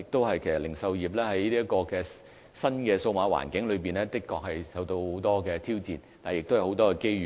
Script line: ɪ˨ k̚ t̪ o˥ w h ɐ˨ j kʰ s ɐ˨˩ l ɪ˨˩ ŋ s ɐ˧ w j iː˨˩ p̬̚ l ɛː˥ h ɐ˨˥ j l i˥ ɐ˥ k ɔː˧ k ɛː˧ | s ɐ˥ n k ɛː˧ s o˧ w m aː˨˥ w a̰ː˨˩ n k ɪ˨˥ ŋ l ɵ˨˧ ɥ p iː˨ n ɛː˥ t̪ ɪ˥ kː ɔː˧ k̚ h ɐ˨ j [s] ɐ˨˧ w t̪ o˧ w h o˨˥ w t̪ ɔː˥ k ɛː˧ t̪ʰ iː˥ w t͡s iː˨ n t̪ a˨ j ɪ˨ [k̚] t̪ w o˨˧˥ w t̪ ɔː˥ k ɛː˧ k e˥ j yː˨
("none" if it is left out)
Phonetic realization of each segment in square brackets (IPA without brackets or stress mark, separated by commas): s, k̚